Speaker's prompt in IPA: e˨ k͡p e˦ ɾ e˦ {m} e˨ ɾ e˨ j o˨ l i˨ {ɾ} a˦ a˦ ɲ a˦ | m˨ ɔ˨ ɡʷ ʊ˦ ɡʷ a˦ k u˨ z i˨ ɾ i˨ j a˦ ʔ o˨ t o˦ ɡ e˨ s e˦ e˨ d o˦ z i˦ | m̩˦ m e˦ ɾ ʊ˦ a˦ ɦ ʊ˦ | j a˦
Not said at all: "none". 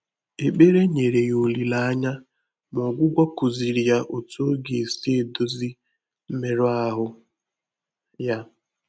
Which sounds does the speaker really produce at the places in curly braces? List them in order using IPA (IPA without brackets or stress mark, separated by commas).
ɲ, l